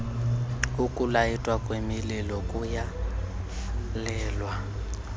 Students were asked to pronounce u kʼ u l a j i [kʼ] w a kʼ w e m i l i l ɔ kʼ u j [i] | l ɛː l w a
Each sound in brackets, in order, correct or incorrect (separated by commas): incorrect, incorrect